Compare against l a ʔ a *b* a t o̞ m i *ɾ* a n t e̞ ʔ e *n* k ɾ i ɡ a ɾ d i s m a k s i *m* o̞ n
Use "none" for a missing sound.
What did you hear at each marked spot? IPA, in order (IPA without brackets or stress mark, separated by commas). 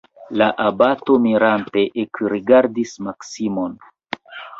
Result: b, ɾ, none, m